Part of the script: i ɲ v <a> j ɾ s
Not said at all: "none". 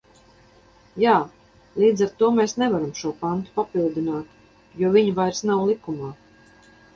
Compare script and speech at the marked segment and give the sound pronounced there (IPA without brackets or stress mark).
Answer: a